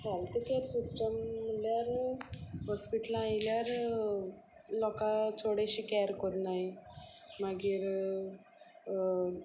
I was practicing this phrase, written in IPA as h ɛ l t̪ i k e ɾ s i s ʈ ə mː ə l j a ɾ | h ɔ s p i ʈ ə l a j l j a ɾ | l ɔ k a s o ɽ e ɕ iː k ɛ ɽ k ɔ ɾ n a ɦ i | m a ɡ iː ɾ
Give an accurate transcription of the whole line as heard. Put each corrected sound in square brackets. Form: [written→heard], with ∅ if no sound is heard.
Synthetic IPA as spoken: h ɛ l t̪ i k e ɾ s i s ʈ ə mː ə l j a ɾ | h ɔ s p i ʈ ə l a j l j a ɾ | l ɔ k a [s→t͡s] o ɽ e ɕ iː k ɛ [ɽ→ɾ] k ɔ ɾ n a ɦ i | m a ɡ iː ɾ